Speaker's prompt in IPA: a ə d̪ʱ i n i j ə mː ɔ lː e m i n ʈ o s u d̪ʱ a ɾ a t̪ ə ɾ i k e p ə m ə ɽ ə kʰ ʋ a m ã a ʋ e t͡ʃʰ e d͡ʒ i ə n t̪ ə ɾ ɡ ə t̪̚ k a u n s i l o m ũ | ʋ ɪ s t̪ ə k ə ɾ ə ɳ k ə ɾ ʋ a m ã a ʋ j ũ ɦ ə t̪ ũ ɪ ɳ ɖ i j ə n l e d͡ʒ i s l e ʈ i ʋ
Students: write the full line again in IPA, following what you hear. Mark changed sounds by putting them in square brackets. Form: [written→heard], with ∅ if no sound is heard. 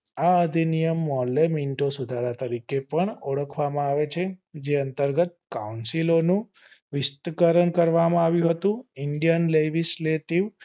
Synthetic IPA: a ə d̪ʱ i n i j ə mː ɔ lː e m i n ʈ o s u d̪ʱ a ɾ a t̪ ə ɾ i k e p ə [m→ɳ] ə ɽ ə kʰ ʋ a m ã a ʋ e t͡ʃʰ e d͡ʒ [i→e] ə n t̪ ə ɾ ɡ ə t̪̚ k a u n s i l o [m→n] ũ | ʋ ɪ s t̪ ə k ə ɾ ə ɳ k ə ɾ ʋ a m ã a ʋ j ũ ɦ ə t̪ ũ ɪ ɳ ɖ i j ə n l e d͡ʒ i s l e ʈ i ʋ

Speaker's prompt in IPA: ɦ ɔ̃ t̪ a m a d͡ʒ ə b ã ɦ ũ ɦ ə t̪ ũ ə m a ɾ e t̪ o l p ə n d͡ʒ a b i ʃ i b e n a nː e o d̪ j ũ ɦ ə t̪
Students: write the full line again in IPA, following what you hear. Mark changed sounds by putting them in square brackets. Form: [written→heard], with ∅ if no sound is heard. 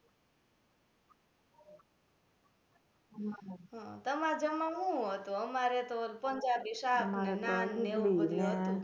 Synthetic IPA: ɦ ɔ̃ t̪ [a→ə] m a d͡ʒ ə [b→m] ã ɦ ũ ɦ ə t̪ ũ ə m a ɾ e t̪ o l p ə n d͡ʒ a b i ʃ [i→a] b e n a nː e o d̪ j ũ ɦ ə t̪

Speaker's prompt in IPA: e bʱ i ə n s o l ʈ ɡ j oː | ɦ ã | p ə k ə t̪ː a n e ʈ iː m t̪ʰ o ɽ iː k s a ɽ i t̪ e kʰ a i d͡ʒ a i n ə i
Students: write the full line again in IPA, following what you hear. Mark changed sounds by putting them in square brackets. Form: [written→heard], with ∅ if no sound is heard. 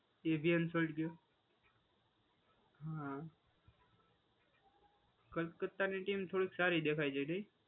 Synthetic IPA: e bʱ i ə n s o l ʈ ɡ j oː | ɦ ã | [p→k] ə k ə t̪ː a n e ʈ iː m t̪ʰ o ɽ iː k s a [ɽ→ɾ] i [t̪→d̪] e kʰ a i d͡ʒ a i n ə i

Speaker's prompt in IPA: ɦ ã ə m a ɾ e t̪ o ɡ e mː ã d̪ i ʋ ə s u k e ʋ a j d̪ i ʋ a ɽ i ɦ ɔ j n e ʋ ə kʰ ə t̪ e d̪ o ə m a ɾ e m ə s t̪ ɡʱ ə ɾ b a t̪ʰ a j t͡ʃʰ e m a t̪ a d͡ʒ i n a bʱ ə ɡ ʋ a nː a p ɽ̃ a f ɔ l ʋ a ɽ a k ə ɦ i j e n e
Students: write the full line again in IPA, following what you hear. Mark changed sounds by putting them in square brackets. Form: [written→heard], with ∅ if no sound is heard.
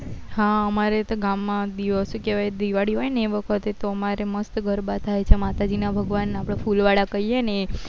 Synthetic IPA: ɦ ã ə m a ɾ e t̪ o ɡ [e→a] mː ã d̪ i ʋ ə s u k e ʋ a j d̪ i ʋ a ɽ i ɦ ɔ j n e ʋ ə kʰ ə t̪ e [d̪→t̪] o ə m a ɾ e m ə s t̪ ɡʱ ə ɾ b a t̪ʰ a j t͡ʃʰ e m a t̪ a d͡ʒ i n a bʱ ə ɡ ʋ a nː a p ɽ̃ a f [ɔ→u] l ʋ a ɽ a k ə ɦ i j e n e

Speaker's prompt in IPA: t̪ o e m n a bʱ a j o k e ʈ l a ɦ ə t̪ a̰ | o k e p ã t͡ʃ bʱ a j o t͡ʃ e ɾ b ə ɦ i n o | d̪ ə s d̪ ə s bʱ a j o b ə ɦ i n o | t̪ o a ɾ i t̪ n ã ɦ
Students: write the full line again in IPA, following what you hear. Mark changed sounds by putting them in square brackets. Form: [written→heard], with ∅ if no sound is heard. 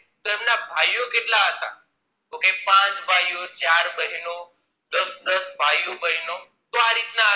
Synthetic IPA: t̪ o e m n a bʱ a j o k e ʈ l a ɦ ə t̪ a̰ | o k e p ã t͡ʃ bʱ a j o t͡ʃ [e→a] ɾ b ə ɦ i n o | d̪ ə s d̪ ə s bʱ a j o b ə ɦ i n o | t̪ o a ɾ i t̪ n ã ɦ

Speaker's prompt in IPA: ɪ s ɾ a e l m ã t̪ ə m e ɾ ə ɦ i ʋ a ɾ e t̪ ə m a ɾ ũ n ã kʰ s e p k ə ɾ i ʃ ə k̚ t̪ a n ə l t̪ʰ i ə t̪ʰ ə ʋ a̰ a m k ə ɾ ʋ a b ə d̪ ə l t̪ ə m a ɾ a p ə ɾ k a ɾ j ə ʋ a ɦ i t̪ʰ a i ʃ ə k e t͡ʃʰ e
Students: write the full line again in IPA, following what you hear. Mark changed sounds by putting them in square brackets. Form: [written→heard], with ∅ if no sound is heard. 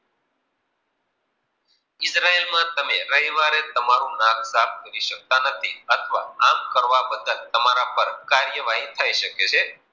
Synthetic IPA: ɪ s ɾ a e l m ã t̪ ə m e ɾ ə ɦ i ʋ a ɾ e t̪ ə m a ɾ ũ n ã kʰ s [e→a] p k ə ɾ i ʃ ə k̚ t̪ a n ə [l→∅] t̪ʰ i ə t̪ʰ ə ʋ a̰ a m k ə ɾ ʋ a b ə d̪ ə l t̪ ə m a ɾ a p ə ɾ k a ɾ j ə ʋ a ɦ i t̪ʰ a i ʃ ə k e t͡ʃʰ e

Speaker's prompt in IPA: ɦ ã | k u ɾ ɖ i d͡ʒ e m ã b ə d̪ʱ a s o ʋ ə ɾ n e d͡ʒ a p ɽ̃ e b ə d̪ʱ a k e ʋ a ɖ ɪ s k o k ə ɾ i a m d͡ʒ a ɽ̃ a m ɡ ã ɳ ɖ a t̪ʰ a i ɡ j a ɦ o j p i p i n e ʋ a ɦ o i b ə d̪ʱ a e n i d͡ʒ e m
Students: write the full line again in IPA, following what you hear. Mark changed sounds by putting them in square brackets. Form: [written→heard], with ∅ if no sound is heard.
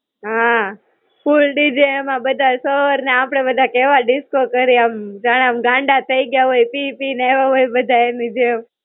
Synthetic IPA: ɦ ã | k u [ɾ→l] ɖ i d͡ʒ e m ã b ə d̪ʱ a s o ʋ ə ɾ n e [d͡ʒ→∅] a p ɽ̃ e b ə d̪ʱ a k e ʋ a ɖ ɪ s k o k ə ɾ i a m d͡ʒ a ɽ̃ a m ɡ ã ɳ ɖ a t̪ʰ [a→ə] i ɡ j a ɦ o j p i p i n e ʋ a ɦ o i b ə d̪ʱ a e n i d͡ʒ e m

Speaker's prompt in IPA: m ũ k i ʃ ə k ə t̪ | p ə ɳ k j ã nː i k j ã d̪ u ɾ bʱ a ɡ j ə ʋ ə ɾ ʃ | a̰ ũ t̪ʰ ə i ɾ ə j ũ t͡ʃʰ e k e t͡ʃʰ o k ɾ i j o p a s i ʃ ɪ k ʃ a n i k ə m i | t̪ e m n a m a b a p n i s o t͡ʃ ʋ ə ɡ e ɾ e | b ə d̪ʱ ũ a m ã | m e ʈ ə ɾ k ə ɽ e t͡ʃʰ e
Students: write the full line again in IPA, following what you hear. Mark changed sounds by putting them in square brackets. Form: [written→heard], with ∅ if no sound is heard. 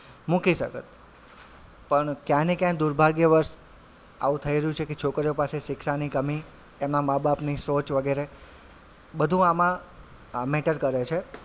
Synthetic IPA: m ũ k i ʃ ə k ə t̪ | p ə ɳ k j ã [nː→n] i k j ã d̪ u ɾ bʱ a ɡ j ə ʋ ə ɾ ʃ | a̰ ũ t̪ʰ ə i ɾ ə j ũ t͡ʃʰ e k e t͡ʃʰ o k ɾ i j o p a s [i→e] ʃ ɪ k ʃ a n i k ə m i | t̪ e m n a m a b a p n i s o t͡ʃ ʋ ə ɡ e ɾ e | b ə d̪ʱ ũ a m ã | m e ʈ ə ɾ k ə [ɽ→ɾ] e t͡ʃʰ e

